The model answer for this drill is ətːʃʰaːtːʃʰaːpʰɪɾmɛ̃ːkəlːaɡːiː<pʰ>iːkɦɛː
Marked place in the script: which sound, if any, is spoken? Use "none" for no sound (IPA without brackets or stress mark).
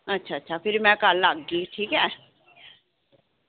ʈʰ